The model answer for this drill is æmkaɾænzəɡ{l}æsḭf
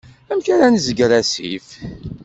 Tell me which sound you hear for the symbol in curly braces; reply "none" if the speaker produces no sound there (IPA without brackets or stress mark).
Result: ɾ